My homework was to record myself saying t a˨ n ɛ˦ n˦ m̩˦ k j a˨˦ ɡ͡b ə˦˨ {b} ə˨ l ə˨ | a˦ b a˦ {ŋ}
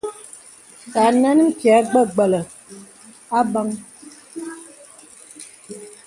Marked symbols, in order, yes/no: no, yes

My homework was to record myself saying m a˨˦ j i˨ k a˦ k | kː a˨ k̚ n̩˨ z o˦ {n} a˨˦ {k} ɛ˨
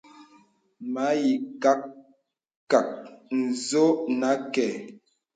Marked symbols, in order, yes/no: yes, yes

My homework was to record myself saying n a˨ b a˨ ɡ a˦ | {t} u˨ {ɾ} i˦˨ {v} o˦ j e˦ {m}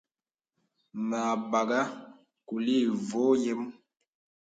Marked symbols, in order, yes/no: no, no, yes, yes

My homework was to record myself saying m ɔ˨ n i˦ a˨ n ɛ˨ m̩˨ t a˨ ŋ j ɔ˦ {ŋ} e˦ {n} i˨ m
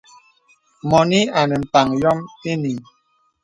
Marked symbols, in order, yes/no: no, yes

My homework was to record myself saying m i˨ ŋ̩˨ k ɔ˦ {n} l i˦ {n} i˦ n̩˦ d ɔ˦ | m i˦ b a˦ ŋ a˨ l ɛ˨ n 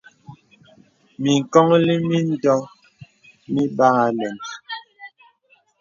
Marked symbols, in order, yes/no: no, no

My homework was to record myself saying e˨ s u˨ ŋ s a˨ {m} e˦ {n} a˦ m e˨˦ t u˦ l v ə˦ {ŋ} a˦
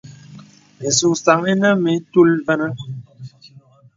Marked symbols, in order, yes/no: no, yes, no

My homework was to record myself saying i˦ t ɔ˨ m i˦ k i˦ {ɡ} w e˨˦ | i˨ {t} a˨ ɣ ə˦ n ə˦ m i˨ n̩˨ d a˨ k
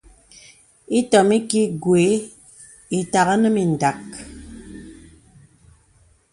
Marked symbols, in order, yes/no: yes, yes

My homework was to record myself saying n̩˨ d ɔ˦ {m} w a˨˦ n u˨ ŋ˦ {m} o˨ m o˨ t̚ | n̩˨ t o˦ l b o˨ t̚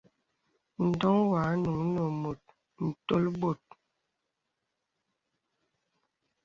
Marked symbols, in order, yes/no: no, no

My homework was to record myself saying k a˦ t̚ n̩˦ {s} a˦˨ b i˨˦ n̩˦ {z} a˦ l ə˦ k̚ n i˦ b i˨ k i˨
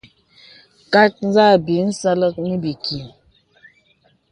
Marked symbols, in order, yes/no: no, no

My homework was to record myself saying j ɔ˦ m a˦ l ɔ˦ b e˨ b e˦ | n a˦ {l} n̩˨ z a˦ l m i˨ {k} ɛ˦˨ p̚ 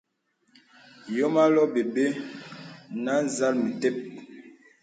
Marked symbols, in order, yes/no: no, no

